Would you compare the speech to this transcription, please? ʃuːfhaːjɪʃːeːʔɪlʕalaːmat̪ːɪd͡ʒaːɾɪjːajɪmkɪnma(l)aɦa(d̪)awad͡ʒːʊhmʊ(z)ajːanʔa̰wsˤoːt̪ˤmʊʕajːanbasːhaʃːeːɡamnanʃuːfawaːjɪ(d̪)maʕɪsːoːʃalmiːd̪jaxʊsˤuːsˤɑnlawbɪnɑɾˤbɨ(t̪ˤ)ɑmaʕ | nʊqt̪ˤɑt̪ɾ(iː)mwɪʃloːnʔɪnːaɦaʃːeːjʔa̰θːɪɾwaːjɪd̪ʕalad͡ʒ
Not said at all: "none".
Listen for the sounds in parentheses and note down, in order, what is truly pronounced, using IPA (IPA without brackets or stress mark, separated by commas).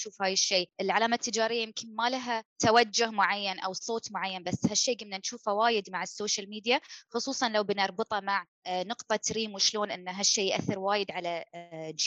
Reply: l, t̪, ʕ, d̪, t̪ˤ, iː